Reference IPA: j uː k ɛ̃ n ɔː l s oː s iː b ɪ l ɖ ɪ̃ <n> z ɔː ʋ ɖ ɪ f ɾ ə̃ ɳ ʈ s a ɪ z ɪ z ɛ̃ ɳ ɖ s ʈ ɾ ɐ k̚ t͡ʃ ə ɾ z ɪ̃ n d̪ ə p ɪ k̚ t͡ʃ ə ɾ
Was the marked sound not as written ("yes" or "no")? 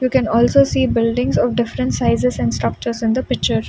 yes